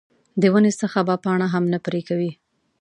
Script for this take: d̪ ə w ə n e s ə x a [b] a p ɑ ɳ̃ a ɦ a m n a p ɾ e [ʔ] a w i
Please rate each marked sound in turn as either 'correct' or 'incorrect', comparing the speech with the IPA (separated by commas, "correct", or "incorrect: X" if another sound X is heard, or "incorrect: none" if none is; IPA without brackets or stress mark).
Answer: correct, incorrect: k